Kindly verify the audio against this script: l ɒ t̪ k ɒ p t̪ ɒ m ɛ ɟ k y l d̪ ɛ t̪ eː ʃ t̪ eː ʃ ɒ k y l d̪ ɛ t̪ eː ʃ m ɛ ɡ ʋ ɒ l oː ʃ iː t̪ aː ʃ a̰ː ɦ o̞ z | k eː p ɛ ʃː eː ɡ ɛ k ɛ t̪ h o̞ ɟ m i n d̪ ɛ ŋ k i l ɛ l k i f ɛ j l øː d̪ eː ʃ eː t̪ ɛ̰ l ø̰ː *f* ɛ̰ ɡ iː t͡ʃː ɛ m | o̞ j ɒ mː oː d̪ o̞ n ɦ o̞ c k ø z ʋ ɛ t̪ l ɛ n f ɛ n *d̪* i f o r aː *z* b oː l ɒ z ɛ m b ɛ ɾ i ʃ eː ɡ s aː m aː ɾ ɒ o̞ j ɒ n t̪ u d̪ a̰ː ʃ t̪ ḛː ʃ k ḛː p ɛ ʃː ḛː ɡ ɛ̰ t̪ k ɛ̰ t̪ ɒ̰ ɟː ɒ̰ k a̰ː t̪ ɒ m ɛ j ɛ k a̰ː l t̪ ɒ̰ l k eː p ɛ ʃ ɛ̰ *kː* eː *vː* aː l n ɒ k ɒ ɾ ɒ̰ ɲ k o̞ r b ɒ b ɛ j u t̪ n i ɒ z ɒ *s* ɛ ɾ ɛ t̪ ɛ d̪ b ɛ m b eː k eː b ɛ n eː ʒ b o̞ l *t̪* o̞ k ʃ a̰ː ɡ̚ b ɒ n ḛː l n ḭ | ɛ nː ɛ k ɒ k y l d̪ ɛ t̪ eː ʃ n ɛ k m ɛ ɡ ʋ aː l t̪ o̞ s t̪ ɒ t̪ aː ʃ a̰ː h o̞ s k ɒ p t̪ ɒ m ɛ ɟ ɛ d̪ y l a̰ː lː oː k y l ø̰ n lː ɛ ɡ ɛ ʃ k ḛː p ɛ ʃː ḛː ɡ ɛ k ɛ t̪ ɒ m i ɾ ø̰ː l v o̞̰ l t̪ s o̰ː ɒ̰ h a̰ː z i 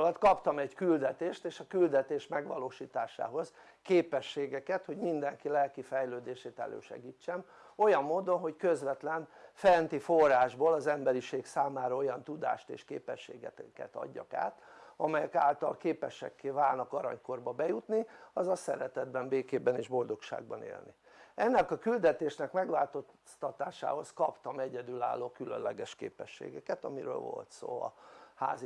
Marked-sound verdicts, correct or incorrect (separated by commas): incorrect, incorrect, incorrect, correct, incorrect, correct, incorrect